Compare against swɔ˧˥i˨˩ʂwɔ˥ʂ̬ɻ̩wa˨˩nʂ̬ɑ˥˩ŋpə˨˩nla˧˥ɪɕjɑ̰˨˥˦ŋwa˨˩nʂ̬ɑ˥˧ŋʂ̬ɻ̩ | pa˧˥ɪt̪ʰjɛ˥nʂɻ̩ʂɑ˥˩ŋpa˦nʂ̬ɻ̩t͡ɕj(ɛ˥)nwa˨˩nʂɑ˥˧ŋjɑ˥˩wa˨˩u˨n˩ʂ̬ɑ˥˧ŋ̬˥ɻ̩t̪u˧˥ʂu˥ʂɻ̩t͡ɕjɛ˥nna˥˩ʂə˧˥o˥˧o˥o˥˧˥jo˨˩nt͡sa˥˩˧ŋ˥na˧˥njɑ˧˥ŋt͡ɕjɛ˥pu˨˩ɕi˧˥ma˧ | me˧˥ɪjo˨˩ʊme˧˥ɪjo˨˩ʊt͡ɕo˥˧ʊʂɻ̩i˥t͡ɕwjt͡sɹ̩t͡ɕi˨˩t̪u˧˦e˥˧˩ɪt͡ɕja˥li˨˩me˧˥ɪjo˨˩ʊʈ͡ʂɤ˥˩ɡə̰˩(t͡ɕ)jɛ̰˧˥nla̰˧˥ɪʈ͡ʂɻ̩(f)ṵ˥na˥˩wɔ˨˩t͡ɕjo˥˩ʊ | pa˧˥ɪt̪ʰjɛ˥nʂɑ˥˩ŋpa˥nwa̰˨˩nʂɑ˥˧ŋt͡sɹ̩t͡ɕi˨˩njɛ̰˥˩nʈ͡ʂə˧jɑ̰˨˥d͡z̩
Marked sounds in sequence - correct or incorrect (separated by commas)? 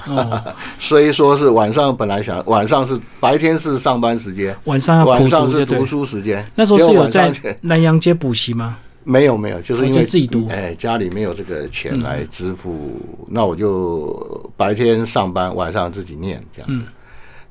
correct, incorrect, correct